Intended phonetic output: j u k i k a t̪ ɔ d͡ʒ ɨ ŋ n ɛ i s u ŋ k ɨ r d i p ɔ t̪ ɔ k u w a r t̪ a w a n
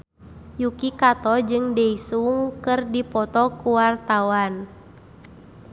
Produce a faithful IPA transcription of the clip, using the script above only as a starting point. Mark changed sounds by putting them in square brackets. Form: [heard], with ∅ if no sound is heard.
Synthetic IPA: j u k i k a t̪ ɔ d͡ʒ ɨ ŋ [d] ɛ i s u ŋ k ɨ r d i p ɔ t̪ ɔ k u w a r t̪ a w a n